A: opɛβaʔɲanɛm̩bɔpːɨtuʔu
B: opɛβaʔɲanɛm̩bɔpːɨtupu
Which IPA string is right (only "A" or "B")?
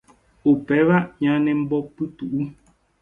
A